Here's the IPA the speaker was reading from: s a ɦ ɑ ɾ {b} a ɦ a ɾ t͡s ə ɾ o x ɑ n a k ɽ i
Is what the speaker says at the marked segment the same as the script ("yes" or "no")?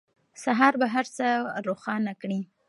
yes